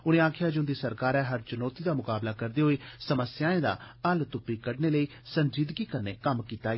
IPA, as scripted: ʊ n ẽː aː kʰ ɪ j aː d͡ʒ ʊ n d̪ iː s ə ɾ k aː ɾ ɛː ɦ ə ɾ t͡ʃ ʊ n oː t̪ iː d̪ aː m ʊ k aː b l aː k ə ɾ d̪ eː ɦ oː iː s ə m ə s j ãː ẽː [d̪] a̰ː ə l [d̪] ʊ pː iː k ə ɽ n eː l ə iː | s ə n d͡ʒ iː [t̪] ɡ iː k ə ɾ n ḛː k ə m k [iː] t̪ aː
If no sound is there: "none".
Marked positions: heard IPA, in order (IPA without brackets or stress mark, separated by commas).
d̪, t̪, d̪, iː